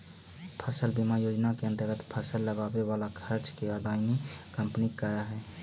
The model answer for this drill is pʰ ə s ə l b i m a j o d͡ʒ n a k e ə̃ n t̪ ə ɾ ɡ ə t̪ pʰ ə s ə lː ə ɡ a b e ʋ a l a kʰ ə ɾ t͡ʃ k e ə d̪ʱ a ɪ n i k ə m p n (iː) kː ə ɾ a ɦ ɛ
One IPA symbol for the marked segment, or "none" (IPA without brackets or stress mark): i